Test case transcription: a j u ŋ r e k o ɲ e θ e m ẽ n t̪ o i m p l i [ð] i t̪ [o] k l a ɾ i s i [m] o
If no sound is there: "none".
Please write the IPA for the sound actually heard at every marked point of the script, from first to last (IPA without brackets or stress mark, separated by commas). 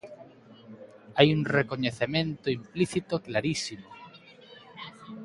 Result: θ, o, m